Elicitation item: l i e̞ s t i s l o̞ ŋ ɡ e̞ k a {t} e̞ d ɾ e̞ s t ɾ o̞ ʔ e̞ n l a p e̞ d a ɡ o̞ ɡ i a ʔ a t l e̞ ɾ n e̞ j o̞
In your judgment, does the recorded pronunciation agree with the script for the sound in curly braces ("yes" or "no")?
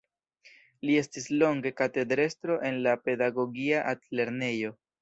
yes